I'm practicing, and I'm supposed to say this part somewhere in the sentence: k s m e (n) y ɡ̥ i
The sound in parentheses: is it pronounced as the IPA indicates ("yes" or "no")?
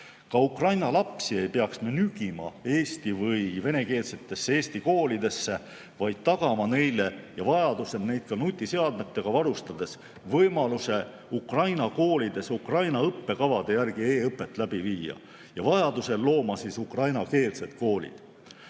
yes